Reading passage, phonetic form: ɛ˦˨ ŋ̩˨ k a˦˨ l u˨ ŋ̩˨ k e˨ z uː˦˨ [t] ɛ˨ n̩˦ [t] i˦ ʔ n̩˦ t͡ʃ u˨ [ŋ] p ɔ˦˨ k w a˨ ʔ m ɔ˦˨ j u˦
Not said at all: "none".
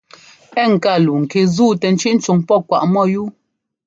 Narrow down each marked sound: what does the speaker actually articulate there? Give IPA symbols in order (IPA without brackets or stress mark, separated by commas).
t, t͡ʃ, ŋ